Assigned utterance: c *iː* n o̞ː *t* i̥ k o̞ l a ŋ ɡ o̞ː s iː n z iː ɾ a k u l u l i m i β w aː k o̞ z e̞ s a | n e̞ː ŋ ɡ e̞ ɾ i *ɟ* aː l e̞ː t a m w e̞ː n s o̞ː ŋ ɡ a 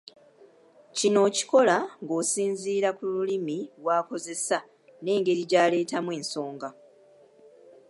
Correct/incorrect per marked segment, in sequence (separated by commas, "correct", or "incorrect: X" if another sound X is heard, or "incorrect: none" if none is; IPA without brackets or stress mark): incorrect: i, incorrect: c, correct